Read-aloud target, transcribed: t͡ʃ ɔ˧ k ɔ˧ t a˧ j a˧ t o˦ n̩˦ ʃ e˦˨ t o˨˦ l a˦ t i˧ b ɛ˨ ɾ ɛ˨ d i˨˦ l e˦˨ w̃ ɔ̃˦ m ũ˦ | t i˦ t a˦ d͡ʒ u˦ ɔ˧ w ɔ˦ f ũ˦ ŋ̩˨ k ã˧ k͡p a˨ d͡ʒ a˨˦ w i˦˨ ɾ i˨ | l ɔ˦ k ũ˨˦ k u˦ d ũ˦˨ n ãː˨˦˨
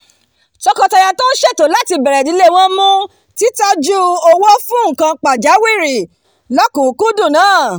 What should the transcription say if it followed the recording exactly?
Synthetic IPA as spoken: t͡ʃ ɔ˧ k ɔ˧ t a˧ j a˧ t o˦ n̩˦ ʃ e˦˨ t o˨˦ l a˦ t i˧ b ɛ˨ ɾ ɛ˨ d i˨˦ l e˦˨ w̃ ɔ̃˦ m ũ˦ | t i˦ t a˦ d͡ʒ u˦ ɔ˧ w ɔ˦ f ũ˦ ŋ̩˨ k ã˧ k͡p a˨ d͡ʒ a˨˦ w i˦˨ ɾ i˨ | l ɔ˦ k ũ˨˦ k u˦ d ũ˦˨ n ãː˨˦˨

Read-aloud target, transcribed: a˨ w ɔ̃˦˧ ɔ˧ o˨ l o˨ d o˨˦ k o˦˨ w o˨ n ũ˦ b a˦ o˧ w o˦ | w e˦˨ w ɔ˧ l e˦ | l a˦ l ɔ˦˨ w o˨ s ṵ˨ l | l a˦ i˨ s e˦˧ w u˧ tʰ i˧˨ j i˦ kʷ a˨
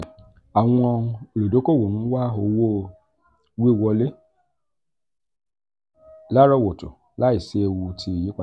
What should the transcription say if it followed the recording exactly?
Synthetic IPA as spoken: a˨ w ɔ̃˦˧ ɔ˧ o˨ l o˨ d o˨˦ k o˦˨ w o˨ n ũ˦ w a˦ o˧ w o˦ | w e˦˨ w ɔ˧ l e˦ | l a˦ ɾ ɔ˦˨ w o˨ t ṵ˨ | l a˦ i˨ s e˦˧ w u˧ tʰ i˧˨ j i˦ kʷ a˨

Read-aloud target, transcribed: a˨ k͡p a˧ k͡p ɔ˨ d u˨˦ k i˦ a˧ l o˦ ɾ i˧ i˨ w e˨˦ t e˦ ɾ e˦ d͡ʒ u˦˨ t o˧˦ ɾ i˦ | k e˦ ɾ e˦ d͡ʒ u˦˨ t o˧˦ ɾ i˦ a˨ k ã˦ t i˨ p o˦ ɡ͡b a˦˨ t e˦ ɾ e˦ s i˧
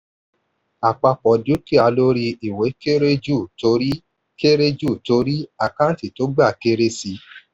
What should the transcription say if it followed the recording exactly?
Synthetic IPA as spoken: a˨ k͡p a˧ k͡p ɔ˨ d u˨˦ k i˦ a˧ l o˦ ɾ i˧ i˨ w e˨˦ k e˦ ɾ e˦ d͡ʒ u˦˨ t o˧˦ ɾ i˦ | k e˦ ɾ e˦ d͡ʒ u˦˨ t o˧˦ ɾ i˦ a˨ k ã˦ t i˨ t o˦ ɡ͡b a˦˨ k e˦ ɾ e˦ s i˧

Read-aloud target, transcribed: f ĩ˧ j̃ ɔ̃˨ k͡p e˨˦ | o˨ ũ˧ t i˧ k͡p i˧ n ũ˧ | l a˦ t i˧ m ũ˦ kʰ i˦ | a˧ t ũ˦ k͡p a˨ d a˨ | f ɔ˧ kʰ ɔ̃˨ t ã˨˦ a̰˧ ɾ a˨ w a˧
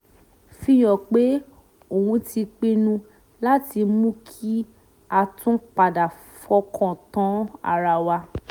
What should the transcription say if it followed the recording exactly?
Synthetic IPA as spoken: f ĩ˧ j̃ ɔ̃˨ k͡p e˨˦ | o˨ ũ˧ t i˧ k͡p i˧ n ũ˧ | l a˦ t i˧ m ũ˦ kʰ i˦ | a˧ t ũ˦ k͡p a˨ d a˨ | f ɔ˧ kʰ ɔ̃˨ t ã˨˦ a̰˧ ɾ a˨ w a˧

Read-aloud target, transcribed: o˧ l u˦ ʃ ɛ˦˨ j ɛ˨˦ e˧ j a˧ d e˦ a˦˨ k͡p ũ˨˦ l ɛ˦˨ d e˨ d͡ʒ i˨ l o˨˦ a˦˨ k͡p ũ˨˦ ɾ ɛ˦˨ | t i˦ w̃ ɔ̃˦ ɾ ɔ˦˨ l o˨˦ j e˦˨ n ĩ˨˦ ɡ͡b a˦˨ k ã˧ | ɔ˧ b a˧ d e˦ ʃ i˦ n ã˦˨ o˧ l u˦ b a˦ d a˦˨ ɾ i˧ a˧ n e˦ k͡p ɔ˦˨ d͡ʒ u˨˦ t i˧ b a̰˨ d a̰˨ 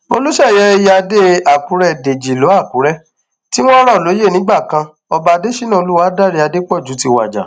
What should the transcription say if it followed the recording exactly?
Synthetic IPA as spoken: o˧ l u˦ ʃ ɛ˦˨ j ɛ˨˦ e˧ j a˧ d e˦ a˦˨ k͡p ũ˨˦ ɾ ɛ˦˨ d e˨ d͡ʒ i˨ l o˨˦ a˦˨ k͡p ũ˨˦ ɾ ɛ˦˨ | t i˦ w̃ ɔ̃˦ ɾ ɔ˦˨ l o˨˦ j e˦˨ n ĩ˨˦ ɡ͡b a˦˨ k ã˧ | ɔ˧ b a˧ d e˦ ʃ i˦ n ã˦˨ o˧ l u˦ w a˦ d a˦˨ ɾ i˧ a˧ d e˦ k͡p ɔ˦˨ d͡ʒ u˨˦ t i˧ w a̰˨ d͡ʒ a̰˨

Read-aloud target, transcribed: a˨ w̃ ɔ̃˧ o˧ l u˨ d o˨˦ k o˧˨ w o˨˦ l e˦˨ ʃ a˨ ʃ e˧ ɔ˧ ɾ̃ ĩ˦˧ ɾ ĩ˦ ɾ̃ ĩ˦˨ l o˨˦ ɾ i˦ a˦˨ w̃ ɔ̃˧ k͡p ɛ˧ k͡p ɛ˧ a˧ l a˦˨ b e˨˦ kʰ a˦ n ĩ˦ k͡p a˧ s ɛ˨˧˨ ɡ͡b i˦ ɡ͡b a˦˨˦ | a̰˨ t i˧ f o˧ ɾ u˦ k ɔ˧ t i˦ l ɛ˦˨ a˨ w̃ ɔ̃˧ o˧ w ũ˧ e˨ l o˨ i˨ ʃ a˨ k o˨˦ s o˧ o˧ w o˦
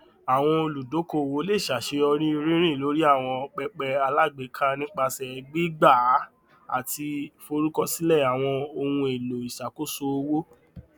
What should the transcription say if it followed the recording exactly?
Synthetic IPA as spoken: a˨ w̃ ɔ̃˧ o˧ l u˨ d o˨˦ k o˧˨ w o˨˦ l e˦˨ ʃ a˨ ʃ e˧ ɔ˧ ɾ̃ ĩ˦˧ ɾ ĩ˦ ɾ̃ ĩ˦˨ l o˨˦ ɾ i˦ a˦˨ w̃ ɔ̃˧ k͡p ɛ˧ k͡p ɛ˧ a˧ l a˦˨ ɡ͡b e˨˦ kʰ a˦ n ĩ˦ k͡p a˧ s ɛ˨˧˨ ɡ͡b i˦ ɡ͡b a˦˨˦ | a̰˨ t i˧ f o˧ ɾ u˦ k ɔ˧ s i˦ l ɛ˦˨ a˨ w̃ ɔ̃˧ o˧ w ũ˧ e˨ l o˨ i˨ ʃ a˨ k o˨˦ s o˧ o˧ w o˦

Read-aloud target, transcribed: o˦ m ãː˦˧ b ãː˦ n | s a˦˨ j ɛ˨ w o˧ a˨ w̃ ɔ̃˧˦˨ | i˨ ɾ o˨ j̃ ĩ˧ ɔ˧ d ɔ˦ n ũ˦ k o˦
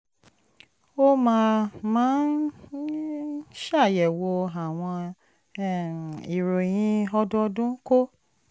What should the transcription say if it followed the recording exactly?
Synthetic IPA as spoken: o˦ m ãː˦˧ m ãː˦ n | ʃ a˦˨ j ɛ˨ w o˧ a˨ w̃ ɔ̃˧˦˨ | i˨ ɾ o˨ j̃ ĩ˧ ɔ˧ d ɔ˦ d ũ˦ k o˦

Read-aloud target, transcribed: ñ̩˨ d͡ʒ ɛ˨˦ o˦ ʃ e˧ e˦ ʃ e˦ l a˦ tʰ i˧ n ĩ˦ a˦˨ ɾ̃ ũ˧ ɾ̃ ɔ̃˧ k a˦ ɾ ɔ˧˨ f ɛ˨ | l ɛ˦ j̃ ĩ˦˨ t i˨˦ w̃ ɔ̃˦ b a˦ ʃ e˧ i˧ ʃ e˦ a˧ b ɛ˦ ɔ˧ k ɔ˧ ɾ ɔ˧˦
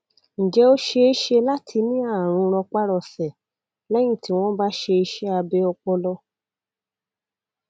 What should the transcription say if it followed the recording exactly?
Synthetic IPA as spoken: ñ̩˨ d͡ʒ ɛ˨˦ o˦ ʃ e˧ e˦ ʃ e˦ l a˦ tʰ i˧ n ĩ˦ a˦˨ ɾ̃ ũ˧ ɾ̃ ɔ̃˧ k͡p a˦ ɾ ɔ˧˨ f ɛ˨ | l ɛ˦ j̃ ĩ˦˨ t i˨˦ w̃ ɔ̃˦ b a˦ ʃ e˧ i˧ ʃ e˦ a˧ b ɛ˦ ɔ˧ k͡p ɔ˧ l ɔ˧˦

